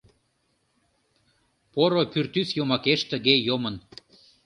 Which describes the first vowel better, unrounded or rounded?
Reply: rounded